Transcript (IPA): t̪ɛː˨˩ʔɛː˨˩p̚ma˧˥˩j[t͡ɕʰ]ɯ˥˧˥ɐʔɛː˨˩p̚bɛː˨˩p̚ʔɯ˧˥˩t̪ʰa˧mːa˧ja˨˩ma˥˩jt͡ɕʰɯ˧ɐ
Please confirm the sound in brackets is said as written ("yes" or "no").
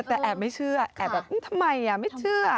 yes